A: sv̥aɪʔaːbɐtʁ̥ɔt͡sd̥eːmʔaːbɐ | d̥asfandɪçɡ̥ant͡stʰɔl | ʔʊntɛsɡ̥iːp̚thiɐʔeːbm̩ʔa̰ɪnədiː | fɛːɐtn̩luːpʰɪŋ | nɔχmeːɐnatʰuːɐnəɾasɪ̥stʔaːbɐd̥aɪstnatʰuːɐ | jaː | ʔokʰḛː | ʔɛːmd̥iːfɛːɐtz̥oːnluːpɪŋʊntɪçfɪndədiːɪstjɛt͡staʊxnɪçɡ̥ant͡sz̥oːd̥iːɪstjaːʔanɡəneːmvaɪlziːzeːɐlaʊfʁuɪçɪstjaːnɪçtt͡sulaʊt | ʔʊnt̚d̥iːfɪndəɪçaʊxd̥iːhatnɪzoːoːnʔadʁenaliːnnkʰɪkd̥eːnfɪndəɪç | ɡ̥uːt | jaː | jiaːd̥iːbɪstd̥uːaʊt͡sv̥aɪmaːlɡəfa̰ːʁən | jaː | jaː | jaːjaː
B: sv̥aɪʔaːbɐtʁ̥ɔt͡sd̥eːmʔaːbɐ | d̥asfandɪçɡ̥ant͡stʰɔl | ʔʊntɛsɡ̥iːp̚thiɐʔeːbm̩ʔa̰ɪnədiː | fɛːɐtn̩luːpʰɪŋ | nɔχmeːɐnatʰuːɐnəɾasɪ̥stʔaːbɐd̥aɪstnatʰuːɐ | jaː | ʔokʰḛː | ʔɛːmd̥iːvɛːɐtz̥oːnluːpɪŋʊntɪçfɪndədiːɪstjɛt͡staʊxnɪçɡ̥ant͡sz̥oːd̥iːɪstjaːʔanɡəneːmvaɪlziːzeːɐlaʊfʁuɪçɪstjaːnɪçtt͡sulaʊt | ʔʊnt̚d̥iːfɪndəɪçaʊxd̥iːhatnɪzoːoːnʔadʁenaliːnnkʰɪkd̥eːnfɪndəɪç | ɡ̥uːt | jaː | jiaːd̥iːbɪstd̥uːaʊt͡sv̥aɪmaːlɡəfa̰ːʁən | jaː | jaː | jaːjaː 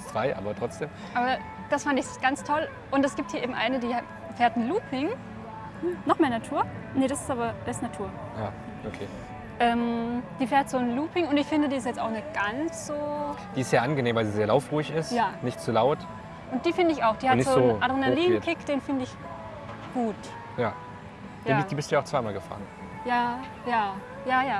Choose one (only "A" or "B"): A